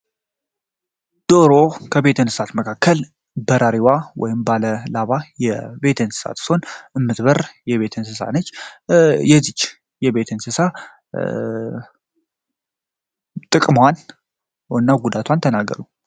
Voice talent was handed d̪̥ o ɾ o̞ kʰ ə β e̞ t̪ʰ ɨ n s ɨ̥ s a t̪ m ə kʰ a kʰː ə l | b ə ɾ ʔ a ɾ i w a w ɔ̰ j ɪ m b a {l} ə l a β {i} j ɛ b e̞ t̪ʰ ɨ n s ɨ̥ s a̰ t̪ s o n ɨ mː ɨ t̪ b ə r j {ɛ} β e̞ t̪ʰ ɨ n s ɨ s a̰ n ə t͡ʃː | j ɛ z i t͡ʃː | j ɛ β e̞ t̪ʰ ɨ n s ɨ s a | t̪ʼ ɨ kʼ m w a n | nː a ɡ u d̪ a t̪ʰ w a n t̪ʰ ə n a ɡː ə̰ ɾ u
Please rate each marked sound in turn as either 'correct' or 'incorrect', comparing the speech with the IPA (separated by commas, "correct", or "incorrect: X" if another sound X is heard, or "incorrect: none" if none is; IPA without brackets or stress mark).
correct, incorrect: a, correct